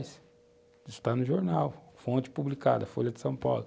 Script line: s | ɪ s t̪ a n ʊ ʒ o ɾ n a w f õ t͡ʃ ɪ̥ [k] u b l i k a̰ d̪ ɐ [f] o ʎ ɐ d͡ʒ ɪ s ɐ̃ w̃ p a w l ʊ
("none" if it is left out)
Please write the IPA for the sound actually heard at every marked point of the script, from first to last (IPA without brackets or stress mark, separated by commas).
p, f